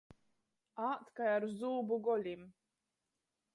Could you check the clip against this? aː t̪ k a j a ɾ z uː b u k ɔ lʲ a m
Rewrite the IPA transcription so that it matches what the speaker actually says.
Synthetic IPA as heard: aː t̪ k a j a ɾ z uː b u ɡ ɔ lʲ i m